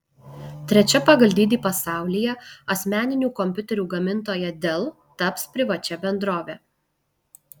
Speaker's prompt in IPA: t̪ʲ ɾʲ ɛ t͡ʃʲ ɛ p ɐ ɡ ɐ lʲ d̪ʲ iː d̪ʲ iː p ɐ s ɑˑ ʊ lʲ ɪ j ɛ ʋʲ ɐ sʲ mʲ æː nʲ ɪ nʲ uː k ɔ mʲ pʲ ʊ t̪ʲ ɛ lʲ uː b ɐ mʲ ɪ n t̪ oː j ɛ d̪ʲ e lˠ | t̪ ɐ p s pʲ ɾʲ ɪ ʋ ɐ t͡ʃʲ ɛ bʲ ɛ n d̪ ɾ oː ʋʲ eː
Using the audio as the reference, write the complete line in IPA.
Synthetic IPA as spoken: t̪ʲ ɾʲ ɛ t͡ʃʲ ɛ p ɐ ɡ ɐ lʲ d̪ʲ iː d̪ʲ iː p ɐ s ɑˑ ʊ lʲ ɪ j ɛ ɐ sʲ mʲ æː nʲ ɪ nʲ uː k ɔ mʲ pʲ ʊ t̪ʲ ɛ ɾʲ uː ɡ ɐ mʲ ɪ n t̪ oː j ɛ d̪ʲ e lˠ | t̪ ɐ p s pʲ ɾʲ ɪ ʋ ɐ t͡ʃʲ ɛ bʲ ɛ n d̪ ɾ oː ʋʲ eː